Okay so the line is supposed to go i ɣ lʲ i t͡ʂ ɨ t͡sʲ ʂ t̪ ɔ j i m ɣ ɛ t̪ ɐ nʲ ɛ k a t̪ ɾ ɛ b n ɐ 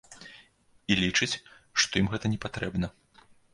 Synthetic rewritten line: i lʲ i t͡ʂ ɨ t͡sʲ ʂ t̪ ɔ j i m ɣ ɛ t̪ ɐ nʲ ɛ p a t̪ ɾ ɛ b n ɐ